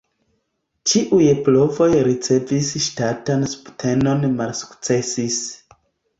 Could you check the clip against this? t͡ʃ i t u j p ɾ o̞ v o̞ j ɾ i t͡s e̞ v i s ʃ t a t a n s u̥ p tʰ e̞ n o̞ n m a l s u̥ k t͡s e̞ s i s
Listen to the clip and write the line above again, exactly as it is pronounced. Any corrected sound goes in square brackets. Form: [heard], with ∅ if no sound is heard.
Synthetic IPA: t͡ʃ i [ʔ] u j p [l] o̞ v o̞ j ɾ i t͡s e̞ v i s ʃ t a t a n s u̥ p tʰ e̞ n o̞ n m a l s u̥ k t͡s e̞ s i s